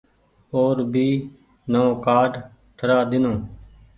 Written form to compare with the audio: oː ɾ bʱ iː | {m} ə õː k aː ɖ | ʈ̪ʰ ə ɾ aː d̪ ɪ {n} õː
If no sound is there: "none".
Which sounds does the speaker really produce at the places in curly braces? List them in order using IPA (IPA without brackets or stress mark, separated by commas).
n, n